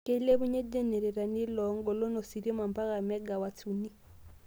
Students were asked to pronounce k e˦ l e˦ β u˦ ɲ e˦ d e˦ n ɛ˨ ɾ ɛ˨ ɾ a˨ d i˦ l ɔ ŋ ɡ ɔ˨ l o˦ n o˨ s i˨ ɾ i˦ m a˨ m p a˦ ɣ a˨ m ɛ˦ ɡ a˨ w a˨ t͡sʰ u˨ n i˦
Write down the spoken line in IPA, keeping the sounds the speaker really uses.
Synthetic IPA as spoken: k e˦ l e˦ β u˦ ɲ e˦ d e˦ n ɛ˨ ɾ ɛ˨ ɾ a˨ n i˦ l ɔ ŋ ɡ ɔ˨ l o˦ n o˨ s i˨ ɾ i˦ m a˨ m p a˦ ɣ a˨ m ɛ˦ ɡ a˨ w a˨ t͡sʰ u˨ n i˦

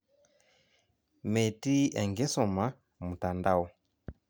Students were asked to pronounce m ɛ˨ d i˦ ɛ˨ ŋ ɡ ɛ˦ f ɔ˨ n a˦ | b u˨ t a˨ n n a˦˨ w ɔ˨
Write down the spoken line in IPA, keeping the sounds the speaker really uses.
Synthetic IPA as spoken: m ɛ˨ t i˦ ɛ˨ ŋ ɡ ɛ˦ s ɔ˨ m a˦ | m u˨ t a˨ n d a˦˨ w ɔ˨

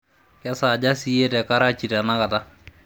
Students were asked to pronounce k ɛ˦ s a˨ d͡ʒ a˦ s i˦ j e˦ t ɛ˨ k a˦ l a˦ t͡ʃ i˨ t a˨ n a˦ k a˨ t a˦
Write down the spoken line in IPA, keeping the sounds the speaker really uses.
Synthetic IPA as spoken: k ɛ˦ s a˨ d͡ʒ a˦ s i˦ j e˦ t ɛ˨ k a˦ ɾ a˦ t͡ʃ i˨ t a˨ n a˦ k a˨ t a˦

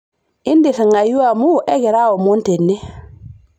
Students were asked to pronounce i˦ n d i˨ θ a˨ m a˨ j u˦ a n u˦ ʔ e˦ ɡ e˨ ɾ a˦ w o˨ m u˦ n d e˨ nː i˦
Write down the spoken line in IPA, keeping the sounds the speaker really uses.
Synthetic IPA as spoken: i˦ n d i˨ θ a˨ ŋ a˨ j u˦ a m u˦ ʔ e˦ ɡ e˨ ɾ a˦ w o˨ m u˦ n t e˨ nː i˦

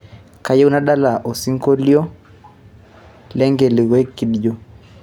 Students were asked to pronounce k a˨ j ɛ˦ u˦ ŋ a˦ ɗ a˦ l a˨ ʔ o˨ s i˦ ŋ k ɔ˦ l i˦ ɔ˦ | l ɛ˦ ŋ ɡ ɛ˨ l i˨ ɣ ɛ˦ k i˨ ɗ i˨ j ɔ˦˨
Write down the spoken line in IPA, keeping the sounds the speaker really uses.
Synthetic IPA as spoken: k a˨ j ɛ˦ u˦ n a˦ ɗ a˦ l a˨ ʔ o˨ s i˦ ŋ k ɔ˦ l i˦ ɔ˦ | l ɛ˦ ŋ ɡ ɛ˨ l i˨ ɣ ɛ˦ k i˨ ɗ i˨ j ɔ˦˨

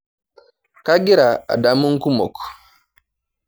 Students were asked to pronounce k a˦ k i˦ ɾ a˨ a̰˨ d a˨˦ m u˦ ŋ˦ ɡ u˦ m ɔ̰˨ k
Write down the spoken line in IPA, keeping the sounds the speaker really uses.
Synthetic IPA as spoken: k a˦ ɡ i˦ ɾ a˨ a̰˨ d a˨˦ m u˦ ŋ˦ k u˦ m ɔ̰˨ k

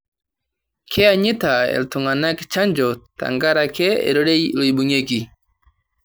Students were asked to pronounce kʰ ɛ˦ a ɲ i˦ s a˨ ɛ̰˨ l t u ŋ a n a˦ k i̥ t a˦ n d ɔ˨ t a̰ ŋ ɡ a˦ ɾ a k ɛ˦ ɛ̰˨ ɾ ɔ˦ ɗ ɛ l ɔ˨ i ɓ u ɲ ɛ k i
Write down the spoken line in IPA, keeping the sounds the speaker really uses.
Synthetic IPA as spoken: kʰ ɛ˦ a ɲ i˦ t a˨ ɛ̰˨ l t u ŋ a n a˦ k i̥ t͡ʃ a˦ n d͡ʒ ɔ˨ t a̰ ŋ ɡ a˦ ɾ a k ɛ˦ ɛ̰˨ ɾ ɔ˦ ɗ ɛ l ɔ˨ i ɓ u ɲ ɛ k i

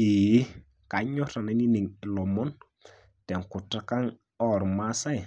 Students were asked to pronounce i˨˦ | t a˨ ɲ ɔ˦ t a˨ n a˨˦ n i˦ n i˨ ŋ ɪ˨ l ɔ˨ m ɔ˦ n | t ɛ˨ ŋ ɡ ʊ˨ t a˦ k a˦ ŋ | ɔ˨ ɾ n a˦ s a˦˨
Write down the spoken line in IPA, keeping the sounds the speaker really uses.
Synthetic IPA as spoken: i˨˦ | k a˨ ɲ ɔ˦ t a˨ n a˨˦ n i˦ n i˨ ŋ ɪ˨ l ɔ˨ m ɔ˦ n | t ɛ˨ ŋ k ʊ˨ t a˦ k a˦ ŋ | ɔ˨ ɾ m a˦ s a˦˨

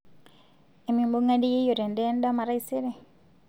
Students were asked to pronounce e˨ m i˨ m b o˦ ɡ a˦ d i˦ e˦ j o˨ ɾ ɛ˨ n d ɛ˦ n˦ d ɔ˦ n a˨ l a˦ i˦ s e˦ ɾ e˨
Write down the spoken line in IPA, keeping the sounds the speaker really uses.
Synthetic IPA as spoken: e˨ m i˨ m b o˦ ŋ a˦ d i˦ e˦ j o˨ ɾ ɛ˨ n d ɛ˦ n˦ d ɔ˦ m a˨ ɾ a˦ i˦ s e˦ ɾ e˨

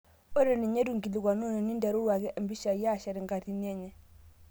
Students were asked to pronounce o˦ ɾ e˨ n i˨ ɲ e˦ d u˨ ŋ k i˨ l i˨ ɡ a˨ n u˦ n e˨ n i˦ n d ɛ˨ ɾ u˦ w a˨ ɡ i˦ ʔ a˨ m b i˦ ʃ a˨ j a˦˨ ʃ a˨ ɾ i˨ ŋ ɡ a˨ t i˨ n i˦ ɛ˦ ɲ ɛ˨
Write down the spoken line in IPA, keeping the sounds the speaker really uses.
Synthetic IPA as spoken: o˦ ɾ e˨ n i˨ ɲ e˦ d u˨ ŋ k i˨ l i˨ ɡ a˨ n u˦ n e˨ n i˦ n d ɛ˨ ɾ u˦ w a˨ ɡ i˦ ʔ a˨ m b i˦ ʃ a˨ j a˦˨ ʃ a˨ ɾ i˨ ŋ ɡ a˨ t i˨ n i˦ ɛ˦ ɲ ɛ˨

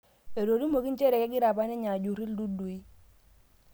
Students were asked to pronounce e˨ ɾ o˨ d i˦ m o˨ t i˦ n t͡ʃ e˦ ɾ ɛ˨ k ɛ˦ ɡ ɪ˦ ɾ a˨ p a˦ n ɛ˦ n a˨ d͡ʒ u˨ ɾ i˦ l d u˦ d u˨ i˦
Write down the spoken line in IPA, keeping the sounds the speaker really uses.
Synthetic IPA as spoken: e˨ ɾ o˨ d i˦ m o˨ k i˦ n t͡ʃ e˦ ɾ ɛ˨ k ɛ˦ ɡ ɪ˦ ɾ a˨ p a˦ n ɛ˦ ɲ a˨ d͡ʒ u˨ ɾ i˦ l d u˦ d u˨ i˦

